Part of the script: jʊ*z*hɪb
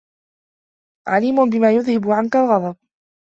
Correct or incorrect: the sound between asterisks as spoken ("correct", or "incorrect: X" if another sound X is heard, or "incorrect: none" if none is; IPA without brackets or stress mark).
incorrect: ð